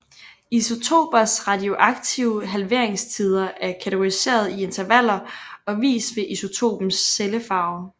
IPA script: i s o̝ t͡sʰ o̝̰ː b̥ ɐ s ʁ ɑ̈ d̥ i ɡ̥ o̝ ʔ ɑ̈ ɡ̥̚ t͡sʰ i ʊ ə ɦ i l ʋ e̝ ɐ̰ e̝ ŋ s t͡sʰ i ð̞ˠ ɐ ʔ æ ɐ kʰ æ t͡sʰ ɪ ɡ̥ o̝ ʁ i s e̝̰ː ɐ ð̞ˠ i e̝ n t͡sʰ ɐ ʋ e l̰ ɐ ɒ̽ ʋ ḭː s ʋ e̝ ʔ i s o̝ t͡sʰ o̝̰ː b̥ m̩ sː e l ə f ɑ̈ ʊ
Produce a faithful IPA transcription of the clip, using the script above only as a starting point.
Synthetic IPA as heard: i s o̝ t͡sʰ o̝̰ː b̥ ɐ s ʁ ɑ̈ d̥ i o̝ ʔ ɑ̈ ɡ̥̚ t͡sʰ i ʊ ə ɦ æ l ʋ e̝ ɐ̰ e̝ ŋ s t͡sʰ i ð̞ˠ ɐ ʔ æ ɐ kʰ æ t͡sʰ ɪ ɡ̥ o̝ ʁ i s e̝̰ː ɐ ð̞ˠ i e̝ n t͡sʰ ɐ ʋ æ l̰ ɐ ɒ̽ ʋ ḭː s ʋ e̝ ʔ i s o̝ t͡sʰ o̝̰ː b̥ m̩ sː e l ə f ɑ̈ ʊ